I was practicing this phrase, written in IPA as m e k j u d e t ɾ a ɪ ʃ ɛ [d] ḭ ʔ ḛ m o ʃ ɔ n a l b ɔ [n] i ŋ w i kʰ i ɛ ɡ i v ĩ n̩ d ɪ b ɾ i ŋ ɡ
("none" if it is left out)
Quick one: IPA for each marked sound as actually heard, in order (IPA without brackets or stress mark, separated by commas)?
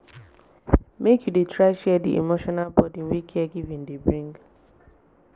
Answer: d, d